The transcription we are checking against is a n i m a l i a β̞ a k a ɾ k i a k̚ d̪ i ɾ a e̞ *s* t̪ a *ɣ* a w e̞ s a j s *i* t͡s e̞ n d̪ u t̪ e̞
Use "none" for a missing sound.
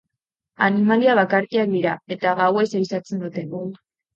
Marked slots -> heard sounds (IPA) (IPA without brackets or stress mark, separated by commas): none, ɣ, a